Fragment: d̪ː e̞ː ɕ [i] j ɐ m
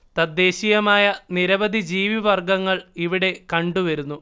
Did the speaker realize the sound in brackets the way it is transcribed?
yes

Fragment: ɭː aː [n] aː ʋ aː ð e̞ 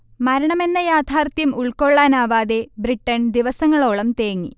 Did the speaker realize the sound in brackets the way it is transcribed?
yes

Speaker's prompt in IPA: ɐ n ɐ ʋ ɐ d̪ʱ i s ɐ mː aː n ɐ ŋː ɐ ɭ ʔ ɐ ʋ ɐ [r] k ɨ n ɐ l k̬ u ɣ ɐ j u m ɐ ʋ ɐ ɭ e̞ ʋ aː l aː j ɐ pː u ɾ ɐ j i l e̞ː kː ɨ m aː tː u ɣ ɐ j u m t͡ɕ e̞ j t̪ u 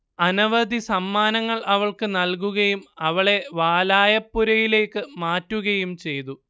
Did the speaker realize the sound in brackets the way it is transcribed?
no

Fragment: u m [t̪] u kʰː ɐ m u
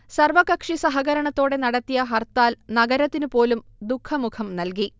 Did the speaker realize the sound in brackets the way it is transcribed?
no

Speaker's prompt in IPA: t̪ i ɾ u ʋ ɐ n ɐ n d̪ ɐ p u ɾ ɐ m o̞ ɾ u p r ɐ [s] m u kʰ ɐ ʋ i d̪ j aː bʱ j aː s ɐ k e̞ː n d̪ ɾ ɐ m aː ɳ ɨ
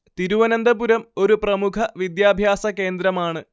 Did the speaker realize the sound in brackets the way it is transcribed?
no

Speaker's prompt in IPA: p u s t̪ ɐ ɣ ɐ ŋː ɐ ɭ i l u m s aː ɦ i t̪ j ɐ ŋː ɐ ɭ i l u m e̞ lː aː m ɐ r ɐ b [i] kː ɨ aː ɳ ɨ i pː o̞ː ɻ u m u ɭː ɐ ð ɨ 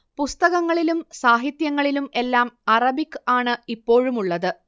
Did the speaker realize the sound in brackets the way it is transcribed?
yes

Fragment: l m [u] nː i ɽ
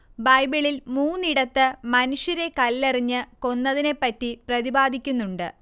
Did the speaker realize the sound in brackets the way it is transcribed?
no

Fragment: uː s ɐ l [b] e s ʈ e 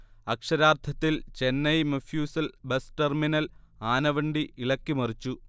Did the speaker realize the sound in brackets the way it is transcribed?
yes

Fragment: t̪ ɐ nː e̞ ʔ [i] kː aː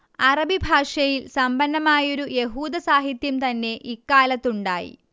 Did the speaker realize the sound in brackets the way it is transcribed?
yes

